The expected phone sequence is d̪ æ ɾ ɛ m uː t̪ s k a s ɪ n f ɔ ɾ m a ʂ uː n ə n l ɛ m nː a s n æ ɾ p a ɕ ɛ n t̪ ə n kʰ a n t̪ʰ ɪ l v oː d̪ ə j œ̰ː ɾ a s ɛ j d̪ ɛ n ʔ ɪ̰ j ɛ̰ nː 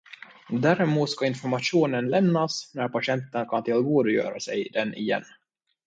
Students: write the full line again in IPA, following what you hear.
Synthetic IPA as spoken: d̪ æ ɾ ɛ m uː t̪ s k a ɪ n f ɔ ɾ m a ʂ uː n ə n l ɛ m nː a s n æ ɾ p a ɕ ɛ n t̪ ə n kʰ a n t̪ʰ ɪ l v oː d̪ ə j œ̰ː ɾ a s ɛ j d̪ ɛ n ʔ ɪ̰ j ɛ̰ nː